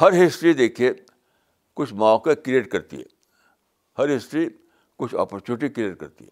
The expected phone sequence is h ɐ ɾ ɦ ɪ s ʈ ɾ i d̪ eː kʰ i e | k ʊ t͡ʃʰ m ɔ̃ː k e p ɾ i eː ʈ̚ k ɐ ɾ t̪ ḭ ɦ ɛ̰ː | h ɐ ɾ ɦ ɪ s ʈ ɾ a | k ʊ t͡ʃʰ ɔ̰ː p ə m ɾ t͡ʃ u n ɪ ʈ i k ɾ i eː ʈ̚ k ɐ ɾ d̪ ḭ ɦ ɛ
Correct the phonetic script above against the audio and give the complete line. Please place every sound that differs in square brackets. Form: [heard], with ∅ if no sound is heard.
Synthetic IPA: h ɐ ɾ ɦ ɪ s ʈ ɾ i d̪ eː kʰ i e | k ʊ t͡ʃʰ m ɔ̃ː k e [k] ɾ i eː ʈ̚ k ɐ ɾ t̪ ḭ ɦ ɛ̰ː | h ɐ ɾ ɦ ɪ s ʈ ɾ [i] | k ʊ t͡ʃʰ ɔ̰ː p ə [∅] ɾ t͡ʃ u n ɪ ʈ i k ɾ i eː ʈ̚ k ɐ ɾ [t̪] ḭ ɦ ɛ